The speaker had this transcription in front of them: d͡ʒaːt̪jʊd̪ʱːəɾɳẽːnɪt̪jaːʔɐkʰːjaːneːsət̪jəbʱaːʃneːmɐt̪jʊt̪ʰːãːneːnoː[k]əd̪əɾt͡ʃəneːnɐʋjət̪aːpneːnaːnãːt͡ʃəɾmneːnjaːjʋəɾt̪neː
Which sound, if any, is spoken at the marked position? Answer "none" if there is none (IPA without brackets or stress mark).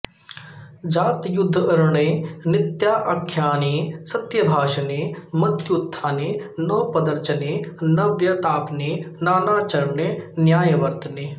p